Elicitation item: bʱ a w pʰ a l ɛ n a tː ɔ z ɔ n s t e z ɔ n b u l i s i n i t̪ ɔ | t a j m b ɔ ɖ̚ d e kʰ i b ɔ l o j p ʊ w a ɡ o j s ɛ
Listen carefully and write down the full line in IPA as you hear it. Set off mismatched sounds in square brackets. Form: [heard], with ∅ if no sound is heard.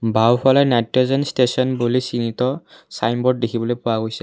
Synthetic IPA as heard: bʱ a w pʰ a l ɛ n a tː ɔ z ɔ n s t e [s] ɔ n b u l i s i n i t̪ ɔ | [s] a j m b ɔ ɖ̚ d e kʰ i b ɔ l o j p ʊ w a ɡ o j s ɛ